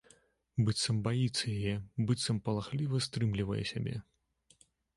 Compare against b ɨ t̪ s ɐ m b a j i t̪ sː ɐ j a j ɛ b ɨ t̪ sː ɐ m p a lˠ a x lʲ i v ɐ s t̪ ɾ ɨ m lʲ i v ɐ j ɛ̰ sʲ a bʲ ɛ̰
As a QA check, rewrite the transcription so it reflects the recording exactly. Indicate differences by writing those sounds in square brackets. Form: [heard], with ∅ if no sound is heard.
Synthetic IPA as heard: b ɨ t̪ s ɐ m b a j i t̪ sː ɐ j a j ɛ b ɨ t̪ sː ɐ m p [ɐ] lˠ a x lʲ i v ɐ s t̪ ɾ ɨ m lʲ i v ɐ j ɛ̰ sʲ a bʲ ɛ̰